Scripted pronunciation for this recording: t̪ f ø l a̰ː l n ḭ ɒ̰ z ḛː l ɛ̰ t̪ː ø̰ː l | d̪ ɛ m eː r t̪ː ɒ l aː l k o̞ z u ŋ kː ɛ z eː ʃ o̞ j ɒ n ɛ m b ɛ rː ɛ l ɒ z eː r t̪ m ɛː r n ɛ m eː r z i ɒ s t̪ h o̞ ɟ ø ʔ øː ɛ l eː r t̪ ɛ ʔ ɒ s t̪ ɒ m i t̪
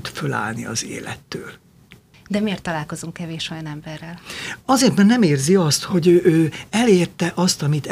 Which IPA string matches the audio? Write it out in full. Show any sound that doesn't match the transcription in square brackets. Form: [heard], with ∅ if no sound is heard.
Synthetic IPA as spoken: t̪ f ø l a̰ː l n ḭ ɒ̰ z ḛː l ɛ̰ t̪ː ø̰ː l | d̪ ɛ m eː r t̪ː ɒ l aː l k o̞ z u ŋ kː ɛ [v] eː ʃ o̞ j ɒ n ɛ m b ɛ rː ɛ l ɒ z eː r t̪ m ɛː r n ɛ m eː r z i ɒ s t̪ h o̞ ɟ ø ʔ øː ɛ l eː r t̪ ɛ ʔ ɒ s t̪ ɒ m i t̪